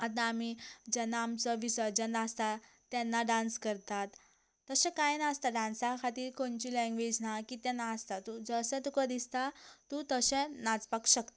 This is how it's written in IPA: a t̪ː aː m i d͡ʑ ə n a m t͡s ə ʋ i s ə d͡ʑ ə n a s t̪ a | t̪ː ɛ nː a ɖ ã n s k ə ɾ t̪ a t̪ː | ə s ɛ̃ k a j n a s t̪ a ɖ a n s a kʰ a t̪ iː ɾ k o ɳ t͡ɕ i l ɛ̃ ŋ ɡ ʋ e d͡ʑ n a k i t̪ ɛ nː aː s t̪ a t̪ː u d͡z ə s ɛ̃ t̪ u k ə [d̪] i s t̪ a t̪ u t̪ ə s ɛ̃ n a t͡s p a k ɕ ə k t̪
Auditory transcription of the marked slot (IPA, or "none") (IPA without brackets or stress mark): d̪